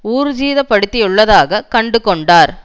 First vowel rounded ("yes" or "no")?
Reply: yes